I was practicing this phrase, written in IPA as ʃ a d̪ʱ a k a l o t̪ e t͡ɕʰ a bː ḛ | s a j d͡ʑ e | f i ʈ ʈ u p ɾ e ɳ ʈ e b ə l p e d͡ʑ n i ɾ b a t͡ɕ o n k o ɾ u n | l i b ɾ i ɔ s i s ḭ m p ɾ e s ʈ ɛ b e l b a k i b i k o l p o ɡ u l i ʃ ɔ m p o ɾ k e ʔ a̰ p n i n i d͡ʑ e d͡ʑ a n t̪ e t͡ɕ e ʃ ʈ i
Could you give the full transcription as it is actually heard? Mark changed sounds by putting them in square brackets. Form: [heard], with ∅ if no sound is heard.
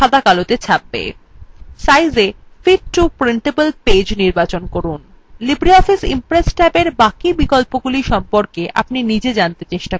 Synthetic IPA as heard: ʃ a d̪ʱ a k a l o t̪ e t͡ɕʰ a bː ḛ | s a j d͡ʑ e | f i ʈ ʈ u p ɾ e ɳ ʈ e b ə l p e d͡ʑ n i ɾ b a t͡ɕ o n k o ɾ u n | l i b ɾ i ɔ [f] i s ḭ m p ɾ e s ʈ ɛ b e [ɾ] b a k i b i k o l p o ɡ u l i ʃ ɔ m p o ɾ k e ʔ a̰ p n i n i d͡ʑ e d͡ʑ a n t̪ e t͡ɕ e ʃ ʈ [a]